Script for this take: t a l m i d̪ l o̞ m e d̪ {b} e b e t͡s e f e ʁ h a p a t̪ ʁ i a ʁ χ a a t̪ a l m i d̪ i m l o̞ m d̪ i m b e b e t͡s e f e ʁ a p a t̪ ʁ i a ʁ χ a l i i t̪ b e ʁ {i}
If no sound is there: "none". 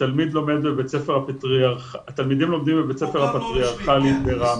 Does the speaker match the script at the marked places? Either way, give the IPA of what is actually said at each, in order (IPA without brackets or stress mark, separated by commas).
b, a